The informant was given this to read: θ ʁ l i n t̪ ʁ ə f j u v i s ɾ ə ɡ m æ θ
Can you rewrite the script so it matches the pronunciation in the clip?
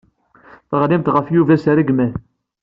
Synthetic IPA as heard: θ ʁ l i m t̪ ʁ ə f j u v æ s ɾ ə ɡ m æ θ

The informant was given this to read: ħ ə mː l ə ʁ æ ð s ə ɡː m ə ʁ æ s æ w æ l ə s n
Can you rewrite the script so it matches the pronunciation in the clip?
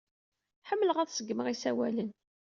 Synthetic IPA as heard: ħ ə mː l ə ʁ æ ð s ə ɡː m ə ʁ i s æ w æ l ə n

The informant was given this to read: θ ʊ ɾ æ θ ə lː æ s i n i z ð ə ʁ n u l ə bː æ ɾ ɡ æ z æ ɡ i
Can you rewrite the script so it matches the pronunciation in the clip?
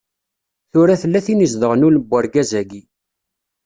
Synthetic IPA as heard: θ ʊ ɾ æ θ ə lː æ θ i n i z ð ə ʁ n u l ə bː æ ɾ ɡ æ z æ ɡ i

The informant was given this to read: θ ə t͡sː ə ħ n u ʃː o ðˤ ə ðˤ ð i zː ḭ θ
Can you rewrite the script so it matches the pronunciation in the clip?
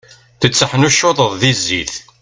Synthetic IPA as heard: θ ə t͡sː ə ħ n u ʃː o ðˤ ə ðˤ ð i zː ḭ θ

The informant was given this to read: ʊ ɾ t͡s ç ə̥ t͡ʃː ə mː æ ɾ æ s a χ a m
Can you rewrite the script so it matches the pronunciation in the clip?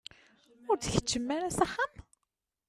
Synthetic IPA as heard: ʊ ɾ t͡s ç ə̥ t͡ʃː ə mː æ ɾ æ s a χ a m

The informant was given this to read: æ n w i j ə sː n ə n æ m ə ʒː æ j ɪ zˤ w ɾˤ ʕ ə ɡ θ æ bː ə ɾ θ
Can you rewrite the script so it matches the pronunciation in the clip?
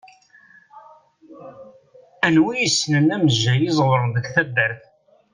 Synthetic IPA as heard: æ n w i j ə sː n ə n æ m ə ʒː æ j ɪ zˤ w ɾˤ ð ə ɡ θ æ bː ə ɾ θ

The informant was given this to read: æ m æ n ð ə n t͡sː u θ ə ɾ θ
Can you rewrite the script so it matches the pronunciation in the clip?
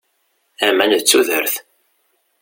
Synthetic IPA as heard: æ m æ n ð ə t͡sː u ð ə ɾ θ

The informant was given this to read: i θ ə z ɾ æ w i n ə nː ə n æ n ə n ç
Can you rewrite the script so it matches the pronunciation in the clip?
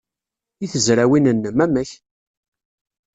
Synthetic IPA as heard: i θ ə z ɾ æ w i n ə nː ə m æ m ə ç

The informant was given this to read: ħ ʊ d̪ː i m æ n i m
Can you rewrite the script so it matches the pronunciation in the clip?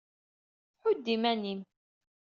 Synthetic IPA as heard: ħ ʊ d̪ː i m æ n i m

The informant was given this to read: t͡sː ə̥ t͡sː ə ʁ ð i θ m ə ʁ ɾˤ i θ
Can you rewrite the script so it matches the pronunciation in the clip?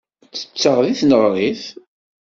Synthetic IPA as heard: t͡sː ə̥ t͡sː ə ʁ ð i θ n ə ʁ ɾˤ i θ

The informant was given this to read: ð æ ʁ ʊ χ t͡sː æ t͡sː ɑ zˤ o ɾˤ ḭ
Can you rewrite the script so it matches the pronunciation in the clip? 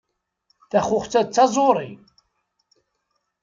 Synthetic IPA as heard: θ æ χ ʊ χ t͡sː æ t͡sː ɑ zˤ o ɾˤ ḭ

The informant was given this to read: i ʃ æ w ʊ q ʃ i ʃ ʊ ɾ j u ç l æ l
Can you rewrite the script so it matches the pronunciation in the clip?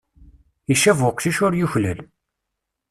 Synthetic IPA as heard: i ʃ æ v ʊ q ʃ i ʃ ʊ ɾ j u ç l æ l

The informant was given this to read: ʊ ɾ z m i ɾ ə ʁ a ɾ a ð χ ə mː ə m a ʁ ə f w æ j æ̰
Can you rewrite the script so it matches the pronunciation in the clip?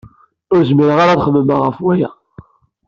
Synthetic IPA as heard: ʊ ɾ z m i ɾ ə ʁ a ɾ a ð χ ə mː ə m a ʁ ə f w æ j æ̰

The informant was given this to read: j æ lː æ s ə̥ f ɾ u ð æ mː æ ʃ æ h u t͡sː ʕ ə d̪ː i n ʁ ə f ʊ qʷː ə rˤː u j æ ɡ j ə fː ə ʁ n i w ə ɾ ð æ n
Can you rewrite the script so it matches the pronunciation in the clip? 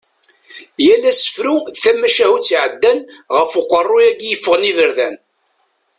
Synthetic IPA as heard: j æ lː æ s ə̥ f ɾ u θ æ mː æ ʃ æ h u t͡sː ʕ ə d̪ː æ n ʁ ə f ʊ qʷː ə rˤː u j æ ɡ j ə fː ə ʁ n i v ə ɾ ð æ n

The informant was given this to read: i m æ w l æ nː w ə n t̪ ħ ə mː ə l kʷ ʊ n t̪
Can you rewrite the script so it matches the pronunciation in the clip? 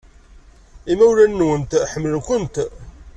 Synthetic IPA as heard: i m æ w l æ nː w ə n t̪ ħ ə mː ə l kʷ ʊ n t̪

